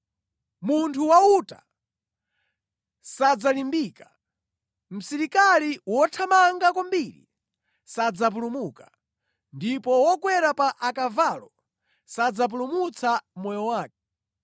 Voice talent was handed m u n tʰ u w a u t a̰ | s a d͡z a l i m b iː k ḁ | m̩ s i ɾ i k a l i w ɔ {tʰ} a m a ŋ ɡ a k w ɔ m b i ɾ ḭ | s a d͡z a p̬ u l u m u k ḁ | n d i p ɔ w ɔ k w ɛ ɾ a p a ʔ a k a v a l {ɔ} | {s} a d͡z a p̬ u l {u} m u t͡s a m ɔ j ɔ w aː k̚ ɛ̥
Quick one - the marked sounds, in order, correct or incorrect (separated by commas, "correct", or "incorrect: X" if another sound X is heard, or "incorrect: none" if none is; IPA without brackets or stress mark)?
correct, correct, correct, correct